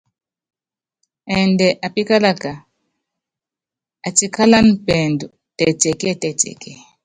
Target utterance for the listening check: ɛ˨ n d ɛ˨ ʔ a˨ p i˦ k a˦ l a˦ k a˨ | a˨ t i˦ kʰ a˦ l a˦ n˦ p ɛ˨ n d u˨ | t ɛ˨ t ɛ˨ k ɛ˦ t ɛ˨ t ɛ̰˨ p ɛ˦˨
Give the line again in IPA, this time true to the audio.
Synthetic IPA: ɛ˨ n d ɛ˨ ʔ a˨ p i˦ k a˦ l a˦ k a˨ | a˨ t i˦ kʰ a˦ l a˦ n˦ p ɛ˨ n d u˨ | t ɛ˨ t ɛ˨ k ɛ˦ t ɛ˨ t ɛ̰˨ k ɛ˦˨